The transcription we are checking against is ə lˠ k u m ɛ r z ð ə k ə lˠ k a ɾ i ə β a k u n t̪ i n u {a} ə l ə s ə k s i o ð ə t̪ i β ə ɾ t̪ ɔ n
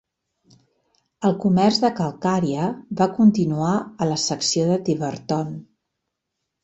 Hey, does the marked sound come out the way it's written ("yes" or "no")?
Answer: yes